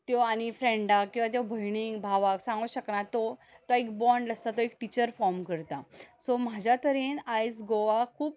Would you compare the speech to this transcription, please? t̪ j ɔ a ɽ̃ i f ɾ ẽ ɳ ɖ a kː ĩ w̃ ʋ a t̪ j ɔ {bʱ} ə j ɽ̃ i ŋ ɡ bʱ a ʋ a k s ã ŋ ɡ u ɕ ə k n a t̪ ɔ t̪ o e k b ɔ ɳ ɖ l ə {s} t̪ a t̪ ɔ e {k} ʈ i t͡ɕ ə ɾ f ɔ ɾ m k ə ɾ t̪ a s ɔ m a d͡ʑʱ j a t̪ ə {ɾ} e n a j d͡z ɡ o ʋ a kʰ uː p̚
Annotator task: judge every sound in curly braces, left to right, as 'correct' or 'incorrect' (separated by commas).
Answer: correct, correct, correct, correct